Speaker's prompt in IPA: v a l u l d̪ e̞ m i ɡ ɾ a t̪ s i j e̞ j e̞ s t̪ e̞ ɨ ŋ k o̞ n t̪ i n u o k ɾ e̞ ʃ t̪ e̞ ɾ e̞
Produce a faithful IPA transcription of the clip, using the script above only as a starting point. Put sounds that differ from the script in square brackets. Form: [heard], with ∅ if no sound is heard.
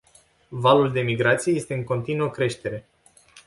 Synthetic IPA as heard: v a l u l d̪ e̞ m i ɡ ɾ a t̪ s i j e̞ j e̞ s t̪ e̞ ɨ ŋ k o̞ n t̪ i n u o k ɾ e̞ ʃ t̪ e̞ ɾ e̞